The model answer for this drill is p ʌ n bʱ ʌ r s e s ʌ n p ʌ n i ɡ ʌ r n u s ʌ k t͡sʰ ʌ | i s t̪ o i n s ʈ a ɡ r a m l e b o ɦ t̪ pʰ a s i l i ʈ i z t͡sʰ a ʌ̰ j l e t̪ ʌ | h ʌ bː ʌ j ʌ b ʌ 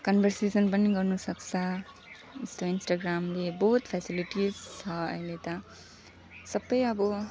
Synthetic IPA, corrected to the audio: k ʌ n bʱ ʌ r s e s ʌ n p ʌ n i ɡ ʌ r n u s ʌ k t͡sʰ ʌ | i s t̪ o i n s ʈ a ɡ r a m l e b o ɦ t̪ pʰ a s i l i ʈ i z t͡sʰ ʌ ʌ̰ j l e t̪ ʌ | s ʌ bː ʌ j ʌ b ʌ